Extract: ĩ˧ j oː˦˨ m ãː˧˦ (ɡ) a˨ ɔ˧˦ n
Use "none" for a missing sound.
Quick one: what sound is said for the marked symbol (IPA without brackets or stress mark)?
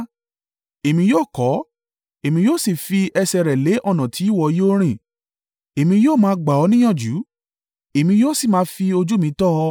ɡ͡b